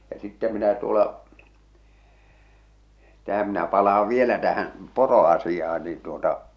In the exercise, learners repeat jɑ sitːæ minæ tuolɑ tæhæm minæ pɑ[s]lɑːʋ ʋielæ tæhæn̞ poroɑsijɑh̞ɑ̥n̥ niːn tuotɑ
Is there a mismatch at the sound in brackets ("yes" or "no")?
yes